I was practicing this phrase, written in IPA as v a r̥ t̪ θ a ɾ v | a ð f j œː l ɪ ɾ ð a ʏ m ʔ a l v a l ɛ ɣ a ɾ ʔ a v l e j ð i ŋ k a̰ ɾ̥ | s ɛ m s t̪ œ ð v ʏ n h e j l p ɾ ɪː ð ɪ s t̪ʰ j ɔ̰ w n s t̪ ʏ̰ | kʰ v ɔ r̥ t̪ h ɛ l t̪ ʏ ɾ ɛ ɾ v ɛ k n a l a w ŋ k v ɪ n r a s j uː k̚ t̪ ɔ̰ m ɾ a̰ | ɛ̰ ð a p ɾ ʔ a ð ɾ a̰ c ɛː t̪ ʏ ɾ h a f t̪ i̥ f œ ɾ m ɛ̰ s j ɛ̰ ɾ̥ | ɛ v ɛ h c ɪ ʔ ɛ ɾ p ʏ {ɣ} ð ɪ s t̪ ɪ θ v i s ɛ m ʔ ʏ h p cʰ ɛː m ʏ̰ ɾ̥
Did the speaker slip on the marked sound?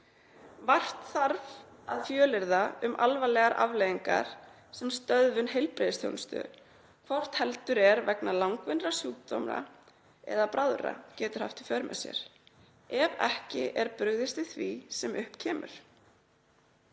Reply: no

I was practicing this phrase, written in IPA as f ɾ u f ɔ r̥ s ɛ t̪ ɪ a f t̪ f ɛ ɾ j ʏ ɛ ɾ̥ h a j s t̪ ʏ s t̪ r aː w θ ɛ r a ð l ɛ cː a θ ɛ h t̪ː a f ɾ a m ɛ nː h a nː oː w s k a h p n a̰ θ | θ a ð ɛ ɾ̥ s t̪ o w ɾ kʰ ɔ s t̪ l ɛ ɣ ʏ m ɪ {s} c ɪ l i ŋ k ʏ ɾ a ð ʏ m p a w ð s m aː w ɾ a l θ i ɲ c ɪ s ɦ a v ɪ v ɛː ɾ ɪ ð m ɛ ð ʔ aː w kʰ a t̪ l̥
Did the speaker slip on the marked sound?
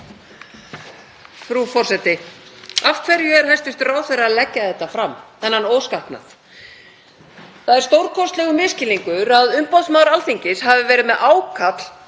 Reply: no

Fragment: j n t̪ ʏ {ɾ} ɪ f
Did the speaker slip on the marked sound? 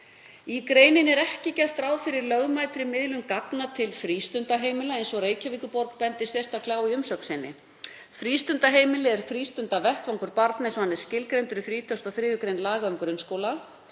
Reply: no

